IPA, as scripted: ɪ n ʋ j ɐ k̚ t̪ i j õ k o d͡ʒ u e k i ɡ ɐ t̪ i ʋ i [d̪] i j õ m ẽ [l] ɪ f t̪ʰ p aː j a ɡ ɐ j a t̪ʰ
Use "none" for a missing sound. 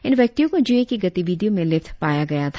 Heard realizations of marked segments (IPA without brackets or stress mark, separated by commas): d̪, l